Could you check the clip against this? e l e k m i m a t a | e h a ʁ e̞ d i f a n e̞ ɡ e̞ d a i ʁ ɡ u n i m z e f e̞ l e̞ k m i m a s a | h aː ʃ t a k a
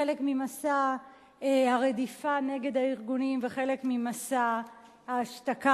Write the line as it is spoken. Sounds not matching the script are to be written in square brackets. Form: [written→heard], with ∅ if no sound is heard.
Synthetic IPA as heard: e l e k m i m a [t→s] a | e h a ʁ e̞ d i f a n e̞ ɡ e̞ d a i ʁ ɡ u n i m [z→v] e [f→χ] e̞ l e̞ k m i m a s a | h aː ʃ t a k a

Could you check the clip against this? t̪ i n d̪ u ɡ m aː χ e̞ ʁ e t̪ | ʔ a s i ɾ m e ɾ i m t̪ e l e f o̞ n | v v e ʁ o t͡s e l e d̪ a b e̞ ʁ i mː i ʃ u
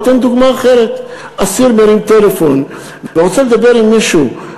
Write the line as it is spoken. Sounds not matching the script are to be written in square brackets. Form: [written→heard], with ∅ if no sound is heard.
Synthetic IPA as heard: t̪ [i→e] n d̪ u ɡ m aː χ e̞ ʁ e t̪ | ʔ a s i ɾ m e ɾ i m t̪ e l e f o̞ n | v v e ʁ o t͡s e l e d̪ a b e̞ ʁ i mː i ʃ u

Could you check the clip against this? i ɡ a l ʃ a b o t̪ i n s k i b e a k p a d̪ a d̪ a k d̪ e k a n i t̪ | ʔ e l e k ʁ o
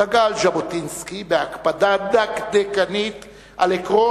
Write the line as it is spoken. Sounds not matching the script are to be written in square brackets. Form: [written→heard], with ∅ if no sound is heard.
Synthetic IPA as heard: [i→a] ɡ a l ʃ a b o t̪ i n s k i b e a k p a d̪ a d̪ a k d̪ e k a n i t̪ | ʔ [e→a] l e k ʁ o

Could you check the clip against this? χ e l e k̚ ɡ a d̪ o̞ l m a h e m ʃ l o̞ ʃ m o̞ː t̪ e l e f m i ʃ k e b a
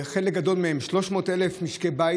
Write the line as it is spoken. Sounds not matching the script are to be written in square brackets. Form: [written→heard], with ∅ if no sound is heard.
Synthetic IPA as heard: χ e l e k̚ ɡ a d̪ o̞ l m [a→e] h e m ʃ l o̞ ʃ m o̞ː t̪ e l e f m i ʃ k e b a

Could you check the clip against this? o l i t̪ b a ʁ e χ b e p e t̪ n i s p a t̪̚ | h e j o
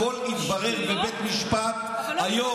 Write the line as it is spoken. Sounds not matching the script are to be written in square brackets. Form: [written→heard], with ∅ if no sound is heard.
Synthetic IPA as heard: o l i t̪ b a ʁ e [χ→ʁ] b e [p→b] e t̪ [n→m] i [s→ʃ] p a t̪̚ | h [e→a] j o

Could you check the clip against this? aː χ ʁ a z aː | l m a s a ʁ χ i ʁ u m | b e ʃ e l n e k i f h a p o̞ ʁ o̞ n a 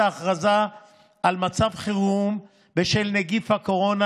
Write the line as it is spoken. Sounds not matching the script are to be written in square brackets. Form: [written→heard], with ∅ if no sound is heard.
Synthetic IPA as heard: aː χ ʁ a z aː | l m a [s→t͡s] a [ʁ→v] χ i ʁ u m | b e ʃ e l n e [k→ɡ] i f h a [p→k] o̞ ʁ o̞ n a

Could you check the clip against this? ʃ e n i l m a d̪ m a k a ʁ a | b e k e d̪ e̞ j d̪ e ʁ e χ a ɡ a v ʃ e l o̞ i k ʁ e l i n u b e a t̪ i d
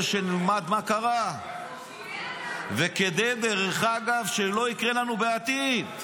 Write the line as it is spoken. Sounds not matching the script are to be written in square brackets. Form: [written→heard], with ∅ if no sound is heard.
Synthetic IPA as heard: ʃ e n i l m a d̪ m a k a ʁ a | [b→v] e k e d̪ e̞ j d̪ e ʁ e χ a ɡ a v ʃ e l o̞ i k ʁ e l [i→a] n u b e a t̪ i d

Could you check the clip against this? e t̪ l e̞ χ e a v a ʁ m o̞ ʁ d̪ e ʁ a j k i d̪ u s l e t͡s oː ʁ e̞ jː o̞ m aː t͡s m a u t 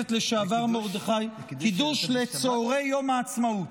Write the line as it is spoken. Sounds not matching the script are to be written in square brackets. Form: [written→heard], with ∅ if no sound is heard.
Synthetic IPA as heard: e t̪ l e̞ [χ→ʃ] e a v a ʁ m o̞ ʁ d̪ e [ʁ→χ] a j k i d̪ u [s→ʃ] l e t͡s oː ʁ e̞ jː o̞ m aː t͡s m a u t

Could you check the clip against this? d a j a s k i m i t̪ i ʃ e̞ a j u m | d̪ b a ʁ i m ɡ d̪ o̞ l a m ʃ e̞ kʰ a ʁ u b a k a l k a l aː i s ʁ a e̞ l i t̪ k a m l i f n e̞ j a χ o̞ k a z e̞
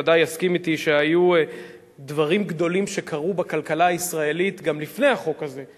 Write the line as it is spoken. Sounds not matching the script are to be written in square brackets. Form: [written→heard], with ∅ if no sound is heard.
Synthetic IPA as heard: d a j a s k i m i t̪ i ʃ e̞ a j u [m→∅] | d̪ [b→v] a ʁ i m ɡ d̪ o̞ l [a→i] m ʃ e̞ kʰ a ʁ u b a k a l k a l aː i s ʁ a e̞ l i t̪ [k→ɡ] a m l i f n e̞ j a χ o̞ k a z e̞

